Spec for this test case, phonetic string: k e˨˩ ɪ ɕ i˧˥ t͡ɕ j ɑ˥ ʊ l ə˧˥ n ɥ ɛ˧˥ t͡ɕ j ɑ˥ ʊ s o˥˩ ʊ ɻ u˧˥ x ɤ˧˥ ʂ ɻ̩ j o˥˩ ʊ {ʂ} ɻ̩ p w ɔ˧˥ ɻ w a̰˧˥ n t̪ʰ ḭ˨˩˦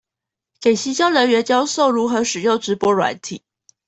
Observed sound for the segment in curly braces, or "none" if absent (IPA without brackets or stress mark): ʈ͡ʂ